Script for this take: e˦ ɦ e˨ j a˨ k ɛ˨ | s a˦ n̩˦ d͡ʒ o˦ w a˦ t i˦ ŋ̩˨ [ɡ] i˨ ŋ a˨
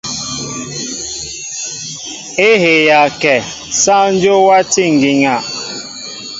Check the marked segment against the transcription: correct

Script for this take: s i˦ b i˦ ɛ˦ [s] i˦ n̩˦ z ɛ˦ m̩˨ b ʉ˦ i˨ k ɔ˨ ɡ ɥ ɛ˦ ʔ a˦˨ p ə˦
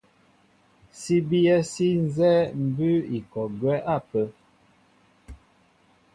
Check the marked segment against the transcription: correct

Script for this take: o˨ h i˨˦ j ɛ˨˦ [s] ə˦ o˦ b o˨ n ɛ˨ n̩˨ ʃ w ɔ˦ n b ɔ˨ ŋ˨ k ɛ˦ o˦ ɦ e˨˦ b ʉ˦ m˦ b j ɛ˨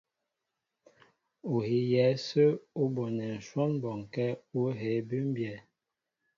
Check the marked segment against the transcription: correct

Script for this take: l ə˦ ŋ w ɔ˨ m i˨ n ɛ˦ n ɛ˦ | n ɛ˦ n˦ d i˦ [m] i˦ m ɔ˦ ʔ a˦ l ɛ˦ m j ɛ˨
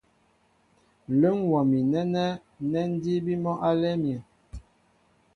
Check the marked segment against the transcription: incorrect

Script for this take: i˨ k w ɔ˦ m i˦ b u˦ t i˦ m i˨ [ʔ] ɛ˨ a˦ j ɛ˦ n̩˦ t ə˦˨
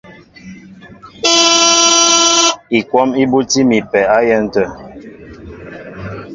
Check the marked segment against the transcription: incorrect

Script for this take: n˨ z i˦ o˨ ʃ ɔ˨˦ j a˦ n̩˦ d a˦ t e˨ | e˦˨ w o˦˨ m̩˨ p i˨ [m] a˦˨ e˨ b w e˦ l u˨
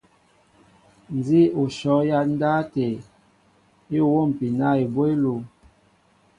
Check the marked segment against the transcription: incorrect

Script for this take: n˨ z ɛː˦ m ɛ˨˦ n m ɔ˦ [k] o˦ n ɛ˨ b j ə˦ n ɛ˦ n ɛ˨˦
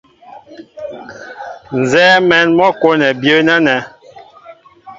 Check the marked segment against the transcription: correct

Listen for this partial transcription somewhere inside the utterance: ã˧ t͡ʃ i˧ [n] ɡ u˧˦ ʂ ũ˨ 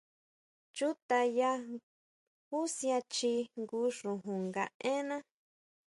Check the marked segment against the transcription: incorrect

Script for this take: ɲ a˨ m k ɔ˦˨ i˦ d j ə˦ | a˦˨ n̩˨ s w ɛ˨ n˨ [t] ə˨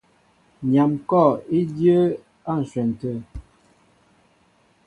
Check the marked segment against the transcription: correct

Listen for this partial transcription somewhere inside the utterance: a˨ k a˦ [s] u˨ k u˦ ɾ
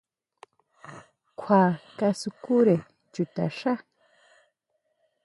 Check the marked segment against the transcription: correct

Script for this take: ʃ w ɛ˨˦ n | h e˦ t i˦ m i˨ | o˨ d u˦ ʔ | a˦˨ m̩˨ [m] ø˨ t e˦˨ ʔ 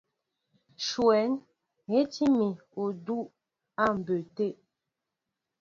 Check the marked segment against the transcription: incorrect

